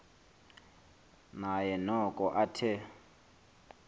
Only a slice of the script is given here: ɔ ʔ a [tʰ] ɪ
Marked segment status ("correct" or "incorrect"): correct